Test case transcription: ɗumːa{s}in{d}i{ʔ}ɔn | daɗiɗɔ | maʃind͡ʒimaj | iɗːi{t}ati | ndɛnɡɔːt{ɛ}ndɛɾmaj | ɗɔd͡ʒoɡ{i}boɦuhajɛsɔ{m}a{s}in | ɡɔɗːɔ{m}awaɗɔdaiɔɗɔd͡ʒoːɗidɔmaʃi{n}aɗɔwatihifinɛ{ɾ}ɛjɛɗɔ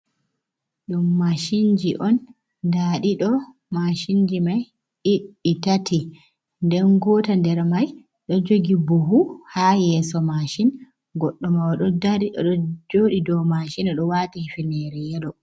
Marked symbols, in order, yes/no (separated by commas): no, no, yes, yes, no, yes, yes, no, yes, yes, yes